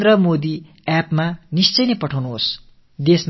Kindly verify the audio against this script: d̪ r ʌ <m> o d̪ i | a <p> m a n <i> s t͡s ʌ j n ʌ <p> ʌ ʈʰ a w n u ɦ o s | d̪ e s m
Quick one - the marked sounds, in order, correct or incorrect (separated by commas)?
correct, correct, correct, correct